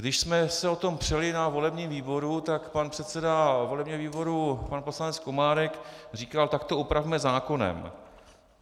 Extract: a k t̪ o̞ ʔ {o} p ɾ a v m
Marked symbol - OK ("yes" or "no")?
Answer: no